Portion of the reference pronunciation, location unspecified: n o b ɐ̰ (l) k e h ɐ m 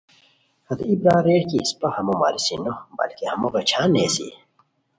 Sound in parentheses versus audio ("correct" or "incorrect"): correct